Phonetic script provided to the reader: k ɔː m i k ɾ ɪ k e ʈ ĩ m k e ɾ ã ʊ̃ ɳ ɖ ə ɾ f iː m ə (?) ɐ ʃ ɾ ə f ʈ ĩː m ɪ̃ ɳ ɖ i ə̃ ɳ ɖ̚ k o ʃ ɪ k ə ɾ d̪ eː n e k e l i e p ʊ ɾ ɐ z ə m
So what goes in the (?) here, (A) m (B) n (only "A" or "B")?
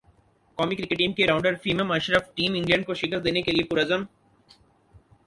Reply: A